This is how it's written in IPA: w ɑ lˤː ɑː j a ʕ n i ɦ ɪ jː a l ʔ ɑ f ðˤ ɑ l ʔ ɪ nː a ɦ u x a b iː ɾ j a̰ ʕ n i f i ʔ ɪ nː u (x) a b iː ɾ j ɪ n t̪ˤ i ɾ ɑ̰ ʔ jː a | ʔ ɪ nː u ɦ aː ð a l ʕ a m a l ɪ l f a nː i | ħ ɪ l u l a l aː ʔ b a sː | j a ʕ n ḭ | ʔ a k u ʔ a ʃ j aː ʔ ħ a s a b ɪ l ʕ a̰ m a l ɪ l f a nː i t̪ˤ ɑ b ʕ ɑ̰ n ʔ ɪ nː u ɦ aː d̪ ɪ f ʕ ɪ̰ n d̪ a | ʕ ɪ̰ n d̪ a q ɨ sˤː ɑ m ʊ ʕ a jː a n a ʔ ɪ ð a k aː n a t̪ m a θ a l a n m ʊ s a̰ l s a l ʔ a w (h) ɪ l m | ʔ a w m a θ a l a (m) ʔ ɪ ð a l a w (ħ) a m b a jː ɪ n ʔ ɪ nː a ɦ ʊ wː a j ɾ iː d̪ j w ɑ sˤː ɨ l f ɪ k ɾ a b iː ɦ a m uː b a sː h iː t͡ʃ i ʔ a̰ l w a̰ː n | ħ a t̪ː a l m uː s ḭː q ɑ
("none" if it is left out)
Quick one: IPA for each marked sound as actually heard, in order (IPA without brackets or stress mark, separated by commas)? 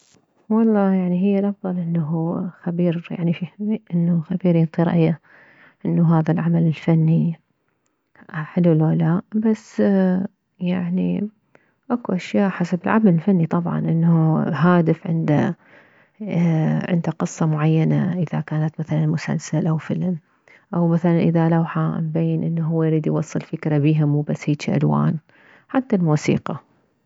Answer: x, f, n, ħ